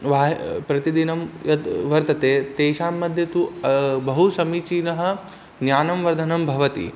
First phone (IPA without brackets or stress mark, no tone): ʋ